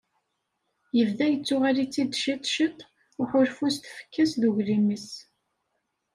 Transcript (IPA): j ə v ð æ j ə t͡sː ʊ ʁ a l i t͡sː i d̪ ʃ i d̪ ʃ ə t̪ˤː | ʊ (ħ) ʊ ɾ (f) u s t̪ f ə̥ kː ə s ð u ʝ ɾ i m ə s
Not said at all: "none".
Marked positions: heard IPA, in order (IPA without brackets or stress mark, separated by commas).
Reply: ħ, f